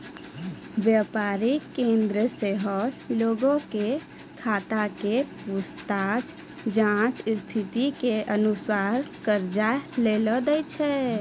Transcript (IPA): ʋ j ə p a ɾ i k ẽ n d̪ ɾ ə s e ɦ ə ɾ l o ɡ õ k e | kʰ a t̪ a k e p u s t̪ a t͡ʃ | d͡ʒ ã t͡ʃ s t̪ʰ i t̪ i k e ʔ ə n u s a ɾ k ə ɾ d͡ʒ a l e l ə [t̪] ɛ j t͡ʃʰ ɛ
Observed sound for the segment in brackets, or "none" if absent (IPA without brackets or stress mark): d̪